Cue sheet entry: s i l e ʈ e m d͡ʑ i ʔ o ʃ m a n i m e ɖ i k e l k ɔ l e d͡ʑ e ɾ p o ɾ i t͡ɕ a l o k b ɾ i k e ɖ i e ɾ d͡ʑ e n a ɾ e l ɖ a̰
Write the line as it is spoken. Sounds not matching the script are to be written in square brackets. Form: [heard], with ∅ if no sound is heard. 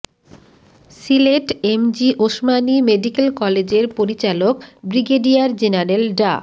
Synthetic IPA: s i l e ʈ e m d͡ʑ i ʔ o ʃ m a n i m e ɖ i k e l k ɔ l e d͡ʑ e ɾ p o ɾ i t͡ɕ a l o k b ɾ i [ɡ] e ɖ i [a] ɾ d͡ʑ e n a ɾ e l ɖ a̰

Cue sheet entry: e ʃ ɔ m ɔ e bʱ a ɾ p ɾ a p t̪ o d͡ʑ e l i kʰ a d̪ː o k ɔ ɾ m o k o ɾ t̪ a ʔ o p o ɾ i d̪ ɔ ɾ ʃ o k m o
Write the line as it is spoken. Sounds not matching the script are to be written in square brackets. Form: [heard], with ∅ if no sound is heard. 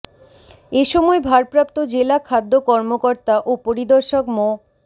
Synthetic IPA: e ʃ ɔ m ɔ e bʱ a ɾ p ɾ a p t̪ o d͡ʑ e l [a] kʰ a d̪ː o k ɔ ɾ m o k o ɾ t̪ a ʔ o p o ɾ i d̪ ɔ ɾ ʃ o k m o

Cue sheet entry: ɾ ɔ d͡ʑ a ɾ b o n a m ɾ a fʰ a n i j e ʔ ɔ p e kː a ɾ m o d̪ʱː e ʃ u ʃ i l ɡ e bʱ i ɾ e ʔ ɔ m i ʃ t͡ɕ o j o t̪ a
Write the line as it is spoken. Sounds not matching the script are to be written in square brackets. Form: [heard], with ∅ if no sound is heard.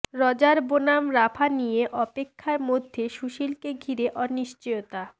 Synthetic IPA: ɾ ɔ d͡ʑ a ɾ b o n a m ɾ a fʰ a n i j e ʔ ɔ p e [kʰː] a ɾ m o d̪ʱː e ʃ u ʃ i l [k] e [ɡʱ] i ɾ e ʔ ɔ [n] i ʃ t͡ɕ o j o t̪ a

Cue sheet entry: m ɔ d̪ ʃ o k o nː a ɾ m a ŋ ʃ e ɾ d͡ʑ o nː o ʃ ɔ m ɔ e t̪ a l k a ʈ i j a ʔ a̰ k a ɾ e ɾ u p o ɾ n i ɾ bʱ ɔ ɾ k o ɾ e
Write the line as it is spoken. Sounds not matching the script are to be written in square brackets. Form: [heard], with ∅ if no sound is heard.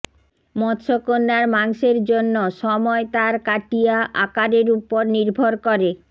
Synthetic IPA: m ɔ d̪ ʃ o k o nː a ɾ m a ŋ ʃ e ɾ d͡ʑ o nː o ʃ ɔ m ɔ e t̪ a [ɾ] k a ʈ i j a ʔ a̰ k a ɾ e ɾ u p o ɾ n i ɾ bʱ [o] ɾ k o ɾ e

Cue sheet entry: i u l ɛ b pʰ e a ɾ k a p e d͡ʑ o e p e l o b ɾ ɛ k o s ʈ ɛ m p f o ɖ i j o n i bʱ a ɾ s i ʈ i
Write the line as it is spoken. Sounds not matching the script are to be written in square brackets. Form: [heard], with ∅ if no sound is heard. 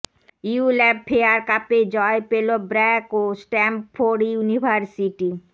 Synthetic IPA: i u l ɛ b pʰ e a ɾ k a p e d͡ʑ [ɔ] e p e l o b ɾ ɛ k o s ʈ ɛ m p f o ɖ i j [u] n i bʱ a ɾ s i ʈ i

